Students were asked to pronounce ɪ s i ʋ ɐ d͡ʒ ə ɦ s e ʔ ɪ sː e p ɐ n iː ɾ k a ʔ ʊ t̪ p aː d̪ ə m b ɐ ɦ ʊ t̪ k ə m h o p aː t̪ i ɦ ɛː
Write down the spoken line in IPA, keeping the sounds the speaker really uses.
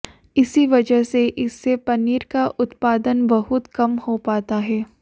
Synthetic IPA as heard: ɪ s i ʋ ɐ d͡ʒ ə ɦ s e ʔ ɪ sː e p ɐ n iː ɾ k a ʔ ʊ t̪ p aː d̪ ə n b ɐ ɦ ʊ t̪ k ɐ m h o p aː t̪ a ɦ ɛː